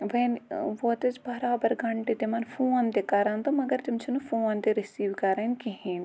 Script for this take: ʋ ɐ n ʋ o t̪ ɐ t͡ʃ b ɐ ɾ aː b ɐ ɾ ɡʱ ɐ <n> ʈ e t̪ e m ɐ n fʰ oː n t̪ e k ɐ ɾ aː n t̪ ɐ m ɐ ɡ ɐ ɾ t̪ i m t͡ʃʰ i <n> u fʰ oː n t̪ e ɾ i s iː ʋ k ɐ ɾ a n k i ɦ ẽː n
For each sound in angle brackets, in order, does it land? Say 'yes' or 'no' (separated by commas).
no, yes